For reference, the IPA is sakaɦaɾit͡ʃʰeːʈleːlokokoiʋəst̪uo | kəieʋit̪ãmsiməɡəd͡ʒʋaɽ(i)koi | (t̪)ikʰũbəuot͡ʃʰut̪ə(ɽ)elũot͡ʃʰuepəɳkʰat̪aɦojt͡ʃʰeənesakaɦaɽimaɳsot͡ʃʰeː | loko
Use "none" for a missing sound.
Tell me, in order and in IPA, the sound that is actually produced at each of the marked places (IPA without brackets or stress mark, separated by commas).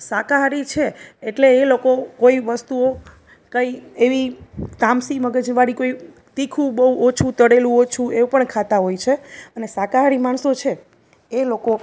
i, t̪, ɽ